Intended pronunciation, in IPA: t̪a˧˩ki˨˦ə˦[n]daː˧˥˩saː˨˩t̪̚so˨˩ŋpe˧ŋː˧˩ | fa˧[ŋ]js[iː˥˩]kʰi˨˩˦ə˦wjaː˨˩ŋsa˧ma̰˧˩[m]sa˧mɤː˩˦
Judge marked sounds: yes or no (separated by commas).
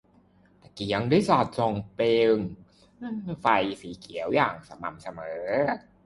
no, no, no, yes